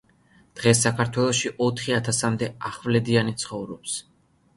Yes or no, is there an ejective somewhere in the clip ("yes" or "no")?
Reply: no